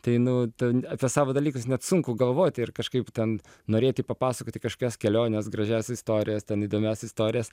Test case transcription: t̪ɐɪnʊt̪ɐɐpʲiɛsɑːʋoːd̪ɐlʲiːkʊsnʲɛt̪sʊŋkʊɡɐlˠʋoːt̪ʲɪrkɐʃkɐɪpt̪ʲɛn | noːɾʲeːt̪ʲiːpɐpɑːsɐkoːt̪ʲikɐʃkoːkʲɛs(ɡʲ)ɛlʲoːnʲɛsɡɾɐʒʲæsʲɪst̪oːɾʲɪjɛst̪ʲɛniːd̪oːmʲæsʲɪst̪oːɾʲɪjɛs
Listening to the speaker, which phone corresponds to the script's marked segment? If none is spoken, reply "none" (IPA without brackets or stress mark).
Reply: kʲ